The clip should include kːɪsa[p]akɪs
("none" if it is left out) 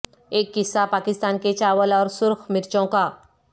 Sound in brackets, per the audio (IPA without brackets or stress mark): p